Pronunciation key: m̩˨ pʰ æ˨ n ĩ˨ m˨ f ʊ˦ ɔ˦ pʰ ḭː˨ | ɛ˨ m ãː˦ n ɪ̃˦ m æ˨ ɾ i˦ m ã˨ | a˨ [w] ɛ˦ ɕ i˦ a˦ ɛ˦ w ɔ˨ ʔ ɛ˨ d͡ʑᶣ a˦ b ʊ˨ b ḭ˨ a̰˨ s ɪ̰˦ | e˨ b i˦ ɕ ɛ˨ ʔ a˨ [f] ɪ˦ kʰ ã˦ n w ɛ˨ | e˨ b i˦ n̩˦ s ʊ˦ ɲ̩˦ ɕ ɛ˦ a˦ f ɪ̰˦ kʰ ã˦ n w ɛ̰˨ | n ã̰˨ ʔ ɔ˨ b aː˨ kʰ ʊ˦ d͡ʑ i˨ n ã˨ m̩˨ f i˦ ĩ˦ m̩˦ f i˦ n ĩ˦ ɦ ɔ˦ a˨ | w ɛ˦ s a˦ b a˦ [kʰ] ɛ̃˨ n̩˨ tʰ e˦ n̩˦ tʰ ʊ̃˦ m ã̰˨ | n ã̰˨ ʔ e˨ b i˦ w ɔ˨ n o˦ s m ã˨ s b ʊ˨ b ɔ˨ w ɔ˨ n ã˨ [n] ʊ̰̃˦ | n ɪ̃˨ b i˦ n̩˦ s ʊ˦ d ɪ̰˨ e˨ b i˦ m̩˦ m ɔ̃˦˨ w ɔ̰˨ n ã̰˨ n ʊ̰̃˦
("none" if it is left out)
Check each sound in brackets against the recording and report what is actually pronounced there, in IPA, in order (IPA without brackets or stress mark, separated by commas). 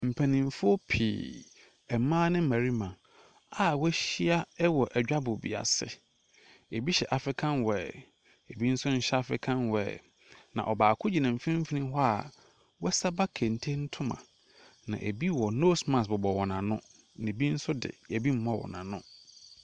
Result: w, f, kʰ, n